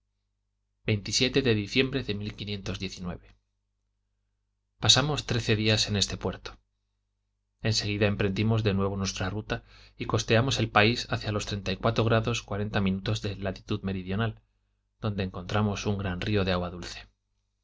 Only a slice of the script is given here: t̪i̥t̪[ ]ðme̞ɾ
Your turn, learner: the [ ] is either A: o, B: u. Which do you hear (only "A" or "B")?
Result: B